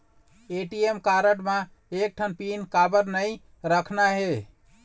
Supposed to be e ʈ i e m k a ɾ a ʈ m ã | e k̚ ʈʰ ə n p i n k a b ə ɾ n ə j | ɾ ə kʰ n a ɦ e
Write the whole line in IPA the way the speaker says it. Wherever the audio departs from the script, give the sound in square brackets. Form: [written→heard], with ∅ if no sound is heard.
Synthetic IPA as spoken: e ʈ i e m k a ɾ [a→ə] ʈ m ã | e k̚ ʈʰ ə n p i n k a b ə ɾ n ə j | ɾ ə kʰ n a ɦ e